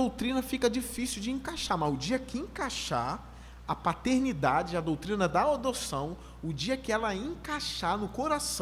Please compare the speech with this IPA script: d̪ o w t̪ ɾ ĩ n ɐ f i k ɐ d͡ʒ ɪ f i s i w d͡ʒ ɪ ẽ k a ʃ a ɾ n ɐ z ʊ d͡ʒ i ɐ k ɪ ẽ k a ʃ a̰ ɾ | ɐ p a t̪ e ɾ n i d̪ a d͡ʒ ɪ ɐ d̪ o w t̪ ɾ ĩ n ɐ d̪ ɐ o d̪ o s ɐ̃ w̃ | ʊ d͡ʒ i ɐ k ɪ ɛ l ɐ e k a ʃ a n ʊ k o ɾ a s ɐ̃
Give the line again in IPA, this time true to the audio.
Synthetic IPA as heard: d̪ o w t̪ ɾ ĩ n ɐ f i k ɐ d͡ʒ i f i s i w d͡ʒ ɪ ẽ k a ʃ a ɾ m ɐ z ʊ d͡ʒ i ɐ k ɪ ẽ k a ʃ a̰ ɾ | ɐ p a t̪ e ɾ n i d̪ a d͡ʒ ɪ ɐ d̪ o w t̪ ɾ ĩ n ɐ d̪ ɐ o d̪ o s ɐ̃ w̃ | ʊ d͡ʒ i ɐ k ɪ ɛ l ɐ ẽ k a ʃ a n ʊ k o ɾ a s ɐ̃